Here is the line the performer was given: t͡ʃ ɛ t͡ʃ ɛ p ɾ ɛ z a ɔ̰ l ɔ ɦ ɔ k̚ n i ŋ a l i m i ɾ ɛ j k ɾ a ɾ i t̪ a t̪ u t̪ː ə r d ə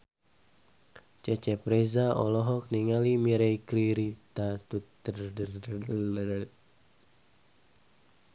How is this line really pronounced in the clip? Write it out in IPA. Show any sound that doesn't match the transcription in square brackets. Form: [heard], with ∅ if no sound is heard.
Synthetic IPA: t͡ʃ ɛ t͡ʃ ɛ p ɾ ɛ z a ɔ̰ l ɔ ɦ ɔ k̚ n i ŋ a l i m i ɾ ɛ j k ɾ [i] ɾ i t̪ a t̪ u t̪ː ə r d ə